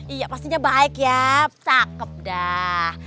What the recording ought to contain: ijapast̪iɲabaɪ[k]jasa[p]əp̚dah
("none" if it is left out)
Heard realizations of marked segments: k, k

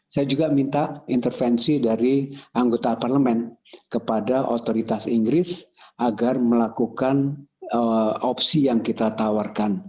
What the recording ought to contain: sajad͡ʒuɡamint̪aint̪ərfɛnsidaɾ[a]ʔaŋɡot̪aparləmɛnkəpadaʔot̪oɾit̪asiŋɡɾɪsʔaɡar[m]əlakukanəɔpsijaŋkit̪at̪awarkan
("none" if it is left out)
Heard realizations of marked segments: i, m

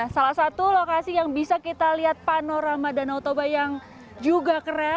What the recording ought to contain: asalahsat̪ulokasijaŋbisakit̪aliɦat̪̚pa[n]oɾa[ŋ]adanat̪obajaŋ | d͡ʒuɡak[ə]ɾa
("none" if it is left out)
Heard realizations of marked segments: n, m, ə

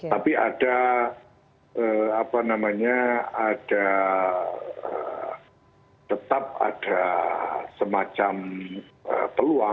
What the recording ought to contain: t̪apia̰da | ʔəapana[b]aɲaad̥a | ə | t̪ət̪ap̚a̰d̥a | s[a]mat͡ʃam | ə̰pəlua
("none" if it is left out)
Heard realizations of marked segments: m, ə

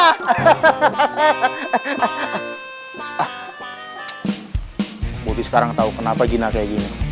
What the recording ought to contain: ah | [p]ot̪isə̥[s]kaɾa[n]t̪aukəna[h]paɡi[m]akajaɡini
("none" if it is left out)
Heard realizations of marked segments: b, none, ŋ, none, n

